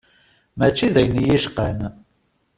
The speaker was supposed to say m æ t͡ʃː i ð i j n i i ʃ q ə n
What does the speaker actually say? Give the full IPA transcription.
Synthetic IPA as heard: m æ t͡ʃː i ð æ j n j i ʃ q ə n